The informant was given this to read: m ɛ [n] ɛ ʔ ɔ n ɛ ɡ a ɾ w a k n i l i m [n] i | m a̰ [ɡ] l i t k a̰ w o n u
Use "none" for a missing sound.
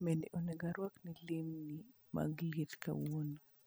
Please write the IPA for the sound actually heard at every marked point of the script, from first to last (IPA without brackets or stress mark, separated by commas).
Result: n, n, ɡ